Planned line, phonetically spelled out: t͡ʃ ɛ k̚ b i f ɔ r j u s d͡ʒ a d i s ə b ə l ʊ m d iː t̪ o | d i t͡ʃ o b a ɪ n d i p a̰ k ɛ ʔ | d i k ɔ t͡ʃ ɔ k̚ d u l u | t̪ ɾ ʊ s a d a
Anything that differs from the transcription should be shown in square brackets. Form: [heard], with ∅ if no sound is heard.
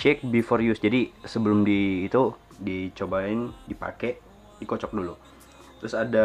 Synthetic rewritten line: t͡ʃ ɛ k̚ b i f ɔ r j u s d͡ʒ a d i s ə b ə l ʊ m d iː t̪ [u] | d i t͡ʃ o b a ɪ n d i p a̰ k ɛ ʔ | d i k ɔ t͡ʃ ɔ k̚ d u l u | t̪ ɾ ʊ s a d a

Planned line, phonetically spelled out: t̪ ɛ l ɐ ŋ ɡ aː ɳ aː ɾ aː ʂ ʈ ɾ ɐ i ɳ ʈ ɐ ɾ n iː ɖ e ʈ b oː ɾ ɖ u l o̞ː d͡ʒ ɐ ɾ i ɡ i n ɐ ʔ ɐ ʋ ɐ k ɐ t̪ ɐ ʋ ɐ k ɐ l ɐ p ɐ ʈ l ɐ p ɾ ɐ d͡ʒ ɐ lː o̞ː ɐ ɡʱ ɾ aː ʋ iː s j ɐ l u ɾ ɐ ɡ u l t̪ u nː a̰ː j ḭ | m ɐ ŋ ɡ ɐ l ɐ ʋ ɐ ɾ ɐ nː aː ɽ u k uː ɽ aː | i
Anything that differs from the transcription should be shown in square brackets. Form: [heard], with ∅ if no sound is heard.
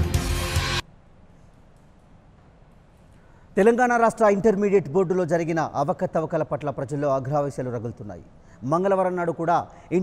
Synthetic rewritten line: t̪ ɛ l ɐ ŋ ɡ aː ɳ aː ɾ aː ʂ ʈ ɾ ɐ i ɳ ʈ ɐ ɾ [m] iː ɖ e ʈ b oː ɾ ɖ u l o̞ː d͡ʒ ɐ ɾ i ɡ i n ɐ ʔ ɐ ʋ ɐ k ɐ t̪ ɐ ʋ ɐ k ɐ l ɐ p ɐ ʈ l ɐ p ɾ ɐ d͡ʒ ɐ lː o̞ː ɐ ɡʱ ɾ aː ʋ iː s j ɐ l u ɾ ɐ ɡ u l t̪ u nː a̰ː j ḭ | m ɐ ŋ ɡ ɐ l ɐ ʋ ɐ ɾ ɐ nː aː ɽ u k uː ɽ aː | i

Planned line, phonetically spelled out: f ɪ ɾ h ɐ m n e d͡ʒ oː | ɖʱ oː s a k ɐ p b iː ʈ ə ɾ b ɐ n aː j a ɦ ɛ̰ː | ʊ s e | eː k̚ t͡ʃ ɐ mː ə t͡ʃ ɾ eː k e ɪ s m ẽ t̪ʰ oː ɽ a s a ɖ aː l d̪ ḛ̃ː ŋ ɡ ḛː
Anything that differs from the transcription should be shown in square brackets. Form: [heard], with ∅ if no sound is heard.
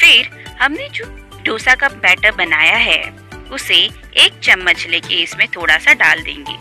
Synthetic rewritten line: f ɪ ɾ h ɐ m n e d͡ʒ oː | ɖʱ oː s a k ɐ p b [ɛː] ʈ ə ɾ b ɐ n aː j a ɦ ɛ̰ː | ʊ s e | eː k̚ t͡ʃ ɐ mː ə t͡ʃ [l] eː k e ɪ s m ẽ t̪ʰ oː ɽ a s a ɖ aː l d̪ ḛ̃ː ŋ ɡ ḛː

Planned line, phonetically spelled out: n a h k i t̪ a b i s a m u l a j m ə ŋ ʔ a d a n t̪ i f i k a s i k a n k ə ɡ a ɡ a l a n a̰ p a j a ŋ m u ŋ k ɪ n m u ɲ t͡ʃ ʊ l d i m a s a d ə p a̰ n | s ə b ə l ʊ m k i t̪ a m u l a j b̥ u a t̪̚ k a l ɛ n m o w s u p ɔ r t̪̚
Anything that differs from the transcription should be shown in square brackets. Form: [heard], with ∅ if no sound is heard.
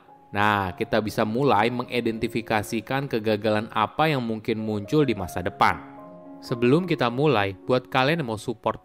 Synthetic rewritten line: n a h k i t̪ a b i s a m u l a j m ə ŋ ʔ [i] d [ɛ] n t̪ i f i k a s i k a n k ə ɡ a ɡ a l a n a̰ p a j a ŋ m u ŋ k ɪ n m u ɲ t͡ʃ ʊ l d i m a s a d ə p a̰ n | s ə b ə l ʊ m k i t̪ a m u l a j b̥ u a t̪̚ k a l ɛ n m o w s u p ɔ r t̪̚

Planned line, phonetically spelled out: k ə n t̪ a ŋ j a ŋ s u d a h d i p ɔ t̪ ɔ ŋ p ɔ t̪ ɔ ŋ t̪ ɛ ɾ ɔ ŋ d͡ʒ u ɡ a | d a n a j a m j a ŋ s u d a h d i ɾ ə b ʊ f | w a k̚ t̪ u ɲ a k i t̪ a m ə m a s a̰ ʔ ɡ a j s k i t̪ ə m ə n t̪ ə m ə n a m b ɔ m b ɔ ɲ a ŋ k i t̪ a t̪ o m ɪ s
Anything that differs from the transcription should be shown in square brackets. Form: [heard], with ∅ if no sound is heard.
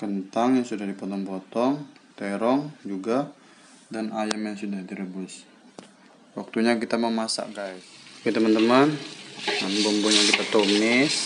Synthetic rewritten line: k ə n t̪ a ŋ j a ŋ s u d a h d i p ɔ t̪ ɔ ŋ p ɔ t̪ ɔ ŋ t̪ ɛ ɾ ɔ ŋ d͡ʒ u ɡ a | d a n a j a m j a ŋ s u d a h d i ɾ ə b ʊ [s] | w a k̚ t̪ u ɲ a k i t̪ a m ə m a s a̰ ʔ ɡ a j s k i t̪ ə m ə n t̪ ə m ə n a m b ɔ m b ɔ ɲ a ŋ k i t̪ a t̪ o m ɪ s

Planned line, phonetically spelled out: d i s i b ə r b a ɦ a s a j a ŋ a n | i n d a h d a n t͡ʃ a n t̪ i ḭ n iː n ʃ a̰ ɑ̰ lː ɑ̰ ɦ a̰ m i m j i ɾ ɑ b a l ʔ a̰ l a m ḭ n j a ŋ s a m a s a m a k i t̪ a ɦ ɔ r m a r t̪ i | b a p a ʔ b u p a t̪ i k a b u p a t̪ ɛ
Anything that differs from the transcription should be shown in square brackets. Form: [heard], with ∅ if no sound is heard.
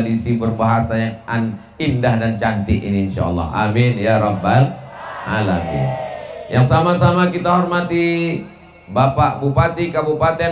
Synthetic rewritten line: d i s i b ə r b a ɦ a s a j a ŋ a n | i n d a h d a n t͡ʃ a n t̪ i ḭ n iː n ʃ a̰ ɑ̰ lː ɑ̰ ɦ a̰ m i [n] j [a] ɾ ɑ b a l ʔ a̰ l a m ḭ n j a ŋ s a m a s a m a k i t̪ a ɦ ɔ r m a [∅] t̪ i | b a p a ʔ b u p a t̪ i k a b u p a t̪ ɛ

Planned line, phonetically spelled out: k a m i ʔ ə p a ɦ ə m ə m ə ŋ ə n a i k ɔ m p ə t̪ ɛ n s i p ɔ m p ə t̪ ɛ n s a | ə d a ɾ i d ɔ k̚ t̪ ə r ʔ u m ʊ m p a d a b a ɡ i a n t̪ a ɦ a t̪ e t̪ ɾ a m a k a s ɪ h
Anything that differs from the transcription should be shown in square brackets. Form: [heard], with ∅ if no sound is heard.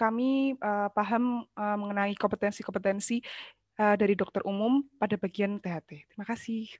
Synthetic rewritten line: k a m i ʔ ə p a ɦ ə m ə m ə ŋ ə n a i k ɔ m p ə t̪ ɛ n s i [k] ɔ m p ə t̪ ɛ n s [i] | ə d a ɾ i d ɔ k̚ t̪ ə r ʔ u m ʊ m p a d a b a ɡ i a n t̪ [e] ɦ a t̪ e t̪ ɾ [i] m a k a s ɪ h

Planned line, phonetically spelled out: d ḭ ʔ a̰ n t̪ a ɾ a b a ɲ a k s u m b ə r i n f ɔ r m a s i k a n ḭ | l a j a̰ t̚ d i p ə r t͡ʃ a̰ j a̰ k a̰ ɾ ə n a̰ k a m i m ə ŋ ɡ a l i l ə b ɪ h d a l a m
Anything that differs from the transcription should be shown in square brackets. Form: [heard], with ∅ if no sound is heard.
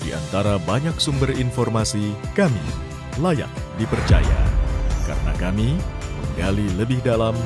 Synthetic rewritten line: d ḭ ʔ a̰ n t̪ a ɾ a b a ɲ a k s u m b ə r i n f ɔ r m a s i k a [m] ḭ | l a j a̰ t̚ d i p ə r t͡ʃ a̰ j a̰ k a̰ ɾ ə n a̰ k a m i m ə ŋ ɡ a l i l ə b ɪ h d a l a m

